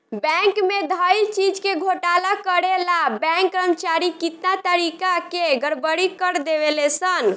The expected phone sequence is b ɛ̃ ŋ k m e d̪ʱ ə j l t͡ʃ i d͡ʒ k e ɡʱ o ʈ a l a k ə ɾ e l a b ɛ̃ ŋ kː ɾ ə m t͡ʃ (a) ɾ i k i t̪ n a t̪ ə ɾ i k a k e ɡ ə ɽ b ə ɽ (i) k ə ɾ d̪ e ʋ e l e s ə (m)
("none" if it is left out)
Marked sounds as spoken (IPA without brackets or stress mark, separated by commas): a, i, n